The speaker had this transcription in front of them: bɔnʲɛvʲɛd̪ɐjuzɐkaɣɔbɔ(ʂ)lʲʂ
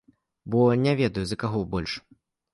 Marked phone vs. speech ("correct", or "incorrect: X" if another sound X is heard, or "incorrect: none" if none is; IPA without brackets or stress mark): incorrect: none